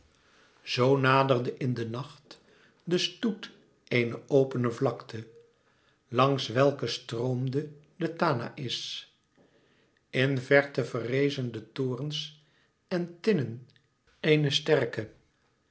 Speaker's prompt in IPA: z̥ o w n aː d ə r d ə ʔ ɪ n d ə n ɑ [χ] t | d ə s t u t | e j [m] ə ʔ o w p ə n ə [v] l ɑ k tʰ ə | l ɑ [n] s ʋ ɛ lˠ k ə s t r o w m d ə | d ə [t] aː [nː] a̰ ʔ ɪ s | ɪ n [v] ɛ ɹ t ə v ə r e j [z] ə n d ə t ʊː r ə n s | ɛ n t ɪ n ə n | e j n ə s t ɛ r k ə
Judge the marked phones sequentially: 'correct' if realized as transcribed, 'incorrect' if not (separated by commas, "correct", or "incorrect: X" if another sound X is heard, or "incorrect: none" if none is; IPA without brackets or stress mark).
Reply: correct, incorrect: n, correct, incorrect: ŋ, correct, incorrect: n, correct, correct